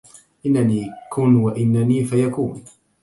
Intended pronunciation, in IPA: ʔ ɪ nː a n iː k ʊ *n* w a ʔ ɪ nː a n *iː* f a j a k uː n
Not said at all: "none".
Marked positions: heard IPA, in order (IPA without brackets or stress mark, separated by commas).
n, iː